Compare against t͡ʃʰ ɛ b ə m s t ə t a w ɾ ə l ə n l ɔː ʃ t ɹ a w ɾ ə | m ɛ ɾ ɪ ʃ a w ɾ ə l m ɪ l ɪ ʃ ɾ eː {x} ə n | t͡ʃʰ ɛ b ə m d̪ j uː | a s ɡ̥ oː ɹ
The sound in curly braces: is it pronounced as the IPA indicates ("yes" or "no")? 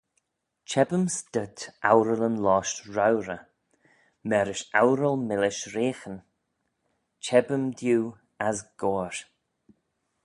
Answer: yes